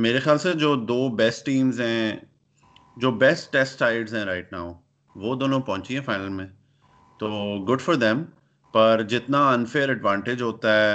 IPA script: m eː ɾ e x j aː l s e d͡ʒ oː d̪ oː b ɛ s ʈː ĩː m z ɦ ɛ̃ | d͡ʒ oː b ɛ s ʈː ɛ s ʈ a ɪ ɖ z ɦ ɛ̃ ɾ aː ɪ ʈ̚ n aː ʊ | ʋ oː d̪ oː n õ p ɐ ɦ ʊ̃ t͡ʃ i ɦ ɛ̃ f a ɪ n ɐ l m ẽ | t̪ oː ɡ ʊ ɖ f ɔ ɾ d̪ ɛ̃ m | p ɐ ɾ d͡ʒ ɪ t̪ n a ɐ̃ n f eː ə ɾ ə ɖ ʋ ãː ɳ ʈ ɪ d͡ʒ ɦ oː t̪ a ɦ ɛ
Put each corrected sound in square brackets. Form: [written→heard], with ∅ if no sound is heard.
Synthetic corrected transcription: m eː ɾ e x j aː l s e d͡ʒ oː d̪ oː b ɛ s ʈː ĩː m z ɦ ɛ̃ | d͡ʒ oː b ɛ s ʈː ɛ s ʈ a ɪ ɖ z ɦ ɛ̃ ɾ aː ɪ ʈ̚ n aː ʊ | ʋ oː d̪ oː n õ p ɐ ɦ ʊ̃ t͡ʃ i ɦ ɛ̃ f a ɪ n [ɐ→ə] l m ẽ | t̪ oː ɡ ʊ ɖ f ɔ ɾ d̪ ɛ̃ m | p ɐ ɾ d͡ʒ ɪ t̪ n a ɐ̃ n f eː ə ɾ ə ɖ ʋ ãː ɳ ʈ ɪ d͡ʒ ɦ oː t̪ a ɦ ɛ